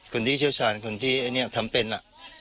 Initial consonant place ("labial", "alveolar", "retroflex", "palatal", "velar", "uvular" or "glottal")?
velar